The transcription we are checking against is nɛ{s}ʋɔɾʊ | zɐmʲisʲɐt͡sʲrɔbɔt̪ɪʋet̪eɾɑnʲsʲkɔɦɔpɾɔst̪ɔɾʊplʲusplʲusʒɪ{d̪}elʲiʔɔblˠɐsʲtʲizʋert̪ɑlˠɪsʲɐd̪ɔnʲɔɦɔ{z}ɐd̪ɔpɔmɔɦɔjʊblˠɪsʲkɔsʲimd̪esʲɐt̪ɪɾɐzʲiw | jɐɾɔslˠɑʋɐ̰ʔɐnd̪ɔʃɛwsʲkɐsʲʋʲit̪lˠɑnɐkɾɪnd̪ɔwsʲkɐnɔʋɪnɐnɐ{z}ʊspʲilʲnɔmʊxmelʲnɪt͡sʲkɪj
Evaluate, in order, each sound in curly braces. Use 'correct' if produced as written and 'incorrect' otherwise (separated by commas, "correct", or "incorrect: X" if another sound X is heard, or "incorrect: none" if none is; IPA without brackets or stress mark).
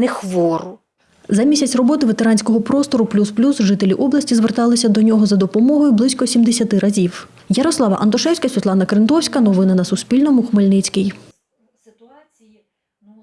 incorrect: x, incorrect: t̪, correct, incorrect: s